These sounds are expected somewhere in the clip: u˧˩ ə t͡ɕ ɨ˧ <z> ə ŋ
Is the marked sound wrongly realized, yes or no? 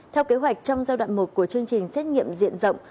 yes